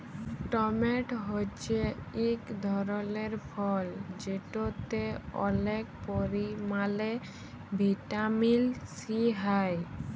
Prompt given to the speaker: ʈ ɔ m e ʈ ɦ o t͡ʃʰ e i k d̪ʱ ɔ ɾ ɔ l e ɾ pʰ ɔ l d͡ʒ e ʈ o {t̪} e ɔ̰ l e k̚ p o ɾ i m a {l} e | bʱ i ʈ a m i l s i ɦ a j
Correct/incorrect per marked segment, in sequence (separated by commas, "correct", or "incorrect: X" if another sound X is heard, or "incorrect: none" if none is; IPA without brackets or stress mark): correct, correct